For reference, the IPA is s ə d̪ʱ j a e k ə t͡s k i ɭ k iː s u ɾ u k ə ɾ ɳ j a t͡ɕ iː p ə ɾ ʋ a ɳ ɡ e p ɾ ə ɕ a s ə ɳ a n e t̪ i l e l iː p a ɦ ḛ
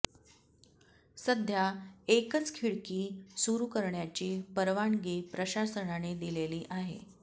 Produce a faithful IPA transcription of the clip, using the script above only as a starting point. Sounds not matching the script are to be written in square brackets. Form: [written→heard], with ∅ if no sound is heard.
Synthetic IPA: s ə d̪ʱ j a e k ə t͡s [k→kʰ] i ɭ k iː s u ɾ u k ə ɾ ɳ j a t͡ɕ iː p ə ɾ ʋ a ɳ ɡ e p ɾ ə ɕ a s ə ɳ a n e [t̪→d̪] i l e l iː [p→ʔ] a ɦ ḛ

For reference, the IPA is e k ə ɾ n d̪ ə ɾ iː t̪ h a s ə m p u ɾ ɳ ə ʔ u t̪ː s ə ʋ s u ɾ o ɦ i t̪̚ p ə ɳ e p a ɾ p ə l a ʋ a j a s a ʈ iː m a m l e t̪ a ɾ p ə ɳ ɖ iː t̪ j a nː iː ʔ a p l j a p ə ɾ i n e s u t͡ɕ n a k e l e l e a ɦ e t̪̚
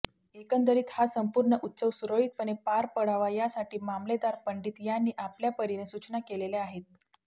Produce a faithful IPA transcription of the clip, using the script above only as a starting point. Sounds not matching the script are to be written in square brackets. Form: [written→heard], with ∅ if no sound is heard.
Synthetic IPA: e k ə [ɾ→∅] n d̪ ə ɾ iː t̪ h a s ə m p u ɾ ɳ ə ʔ u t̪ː s ə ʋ s u ɾ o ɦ i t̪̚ p ə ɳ e p a ɾ p ə [l→ɽ] a ʋ a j a s a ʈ iː m a m l e [t̪→d̪] a ɾ p ə ɳ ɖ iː t̪ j a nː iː ʔ a p l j a p ə ɾ i n e s u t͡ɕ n a k e l e l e a ɦ e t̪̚

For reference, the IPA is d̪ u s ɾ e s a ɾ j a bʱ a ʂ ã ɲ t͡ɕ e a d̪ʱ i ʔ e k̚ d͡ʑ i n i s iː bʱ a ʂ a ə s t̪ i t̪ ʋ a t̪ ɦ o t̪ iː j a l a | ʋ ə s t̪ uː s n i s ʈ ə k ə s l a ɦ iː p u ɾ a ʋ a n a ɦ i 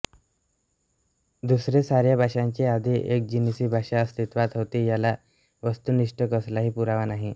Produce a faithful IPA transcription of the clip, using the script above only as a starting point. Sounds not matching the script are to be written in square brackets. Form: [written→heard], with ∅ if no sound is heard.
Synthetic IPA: d̪ u s ɾ e s a ɾ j a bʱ a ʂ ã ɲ t͡ɕ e a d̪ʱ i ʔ e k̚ d͡ʑ i n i s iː bʱ a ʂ a ə s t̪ i t̪ ʋ a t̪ ɦ o t̪ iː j a l a | ʋ ə s t̪ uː [s→∅] n i [s→ʂ] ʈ ə k ə s l a ɦ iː p u ɾ a ʋ a n a ɦ i

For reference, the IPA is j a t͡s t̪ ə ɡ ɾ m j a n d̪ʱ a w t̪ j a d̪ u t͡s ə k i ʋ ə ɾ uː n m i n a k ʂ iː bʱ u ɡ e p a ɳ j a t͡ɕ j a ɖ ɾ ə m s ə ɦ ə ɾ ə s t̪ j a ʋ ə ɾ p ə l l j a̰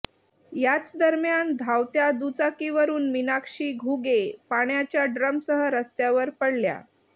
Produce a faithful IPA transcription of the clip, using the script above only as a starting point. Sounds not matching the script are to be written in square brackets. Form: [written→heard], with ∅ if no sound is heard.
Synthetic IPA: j a t͡s [t̪→d̪] ə [ɡ→∅] ɾ m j a n d̪ʱ a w t̪ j a d̪ u t͡s [ə→a] k i ʋ ə ɾ uː n m i n a k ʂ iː [bʱ→ɡʱ] u ɡ e p a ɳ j a t͡ɕ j a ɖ ɾ ə m s ə ɦ ə ɾ ə s t̪ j a ʋ ə ɾ p ə [l→ɽ] l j a̰

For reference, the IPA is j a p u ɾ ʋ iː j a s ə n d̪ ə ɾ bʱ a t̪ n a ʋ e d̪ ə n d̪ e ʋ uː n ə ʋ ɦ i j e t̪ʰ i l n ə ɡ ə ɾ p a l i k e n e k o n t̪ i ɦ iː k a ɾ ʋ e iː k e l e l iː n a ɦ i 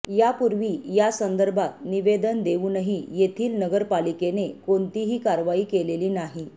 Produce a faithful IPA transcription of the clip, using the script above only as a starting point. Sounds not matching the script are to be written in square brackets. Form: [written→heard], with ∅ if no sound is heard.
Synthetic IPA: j a p u ɾ ʋ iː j a s ə n d̪ ə ɾ bʱ a t̪ n [a→i] ʋ e d̪ ə n d̪ e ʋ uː n ə [ʋ→∅] ɦ i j e t̪ʰ [i→iː] l n ə ɡ ə ɾ p a l i k e n e k o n t̪ i ɦ iː k a ɾ ʋ [e→a] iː k e l e l iː n a ɦ i

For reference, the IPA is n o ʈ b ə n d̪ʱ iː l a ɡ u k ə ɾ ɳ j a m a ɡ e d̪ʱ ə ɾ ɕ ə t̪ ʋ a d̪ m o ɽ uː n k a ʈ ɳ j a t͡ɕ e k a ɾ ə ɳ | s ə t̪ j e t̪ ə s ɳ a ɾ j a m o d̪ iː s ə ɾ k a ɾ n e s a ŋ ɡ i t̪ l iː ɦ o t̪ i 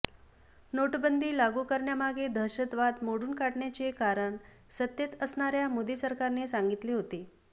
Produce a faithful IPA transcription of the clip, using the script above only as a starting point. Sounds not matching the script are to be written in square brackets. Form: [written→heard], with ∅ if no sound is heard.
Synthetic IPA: n o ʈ b ə n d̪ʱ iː l a ɡ u k ə ɾ ɳ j a m a ɡ e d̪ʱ ə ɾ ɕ ə t̪ ʋ a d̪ m o ɽ uː n k a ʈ ɳ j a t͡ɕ e k a ɾ ə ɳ | s ə t̪ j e t̪ ə s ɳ a ɾ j a m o d̪ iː s ə ɾ k a ɾ n e s a ŋ ɡ i t̪ l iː ɦ o t̪ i

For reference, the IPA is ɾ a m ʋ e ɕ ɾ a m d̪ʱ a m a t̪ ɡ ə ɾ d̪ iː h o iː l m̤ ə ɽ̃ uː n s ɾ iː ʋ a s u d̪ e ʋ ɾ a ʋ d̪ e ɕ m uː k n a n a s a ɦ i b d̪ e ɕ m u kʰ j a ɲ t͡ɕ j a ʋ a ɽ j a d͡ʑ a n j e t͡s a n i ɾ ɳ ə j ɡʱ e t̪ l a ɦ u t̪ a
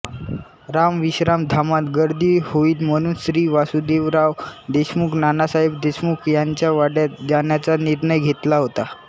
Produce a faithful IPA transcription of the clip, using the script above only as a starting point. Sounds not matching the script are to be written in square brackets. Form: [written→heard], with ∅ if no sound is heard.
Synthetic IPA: ɾ a m ʋ [e→i] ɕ ɾ a m d̪ʱ a m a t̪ ɡ ə ɾ d̪ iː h o iː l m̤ ə ɽ̃ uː n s ɾ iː ʋ a s u d̪ e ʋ ɾ a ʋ d̪ e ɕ m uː k n a n a s a ɦ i b d̪ e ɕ m u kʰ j a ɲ t͡ɕ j a ʋ a ɽ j a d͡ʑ a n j [e→a] t͡s a n i ɾ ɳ ə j ɡʱ e t̪ l a ɦ [u→o] t̪ a

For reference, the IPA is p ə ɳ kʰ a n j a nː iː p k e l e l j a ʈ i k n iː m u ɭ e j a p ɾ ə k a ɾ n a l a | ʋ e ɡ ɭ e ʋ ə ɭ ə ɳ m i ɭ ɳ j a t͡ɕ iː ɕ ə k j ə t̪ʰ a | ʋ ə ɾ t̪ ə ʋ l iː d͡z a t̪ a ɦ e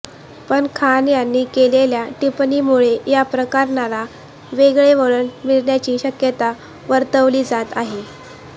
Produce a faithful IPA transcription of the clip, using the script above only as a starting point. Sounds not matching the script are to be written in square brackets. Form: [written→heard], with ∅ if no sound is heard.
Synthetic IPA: p ə ɳ kʰ a n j a nː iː [p→∅] k e l e l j a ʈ i [k→p] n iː m u ɭ e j a p ɾ ə k a ɾ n a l a | ʋ e ɡ ɭ e ʋ ə ɭ ə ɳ m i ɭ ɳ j a t͡ɕ iː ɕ ə k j ə [t̪ʰ→t̪] a | ʋ ə ɾ t̪ ə ʋ l iː d͡z a t̪ a ɦ e

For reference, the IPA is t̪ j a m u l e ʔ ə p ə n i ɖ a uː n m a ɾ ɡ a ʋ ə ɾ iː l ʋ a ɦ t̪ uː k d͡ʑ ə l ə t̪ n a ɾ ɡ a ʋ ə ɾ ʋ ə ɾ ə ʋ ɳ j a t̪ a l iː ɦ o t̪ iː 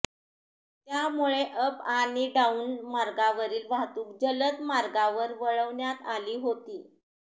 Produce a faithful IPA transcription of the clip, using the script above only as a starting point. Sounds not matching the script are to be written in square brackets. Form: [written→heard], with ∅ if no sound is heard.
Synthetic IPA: t̪ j a m u [l→ɭ] e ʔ ə p [ə→a] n i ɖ a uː n m a ɾ ɡ a ʋ ə ɾ iː l ʋ a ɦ t̪ uː k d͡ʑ ə l ə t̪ [n→m] a ɾ ɡ a ʋ ə ɾ ʋ ə [ɾ→ɭ] ə ʋ ɳ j a t̪ a l iː ɦ o t̪ iː

